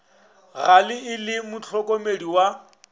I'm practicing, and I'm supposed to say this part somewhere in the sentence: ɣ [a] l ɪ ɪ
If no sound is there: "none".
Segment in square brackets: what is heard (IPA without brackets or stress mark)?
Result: a